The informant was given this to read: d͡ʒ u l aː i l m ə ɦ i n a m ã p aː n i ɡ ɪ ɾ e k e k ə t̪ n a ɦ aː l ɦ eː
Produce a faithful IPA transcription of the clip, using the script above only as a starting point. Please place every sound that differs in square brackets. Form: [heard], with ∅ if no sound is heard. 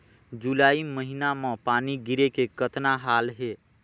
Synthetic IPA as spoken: d͡ʒ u l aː i [∅] m ə ɦ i n a m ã p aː n i ɡ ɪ ɾ e k e k ə t̪ n a ɦ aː l ɦ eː